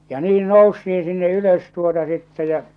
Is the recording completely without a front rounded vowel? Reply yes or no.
no